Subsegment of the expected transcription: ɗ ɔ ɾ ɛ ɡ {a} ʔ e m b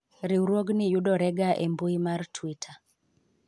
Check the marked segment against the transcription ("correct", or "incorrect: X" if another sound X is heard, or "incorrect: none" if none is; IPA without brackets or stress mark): correct